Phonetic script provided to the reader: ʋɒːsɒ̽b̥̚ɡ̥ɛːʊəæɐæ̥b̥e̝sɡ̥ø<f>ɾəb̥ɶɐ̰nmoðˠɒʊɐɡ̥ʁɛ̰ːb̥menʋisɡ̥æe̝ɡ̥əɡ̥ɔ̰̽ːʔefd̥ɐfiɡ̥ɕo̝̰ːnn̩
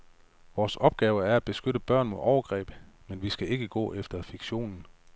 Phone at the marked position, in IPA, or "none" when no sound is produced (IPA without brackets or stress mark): none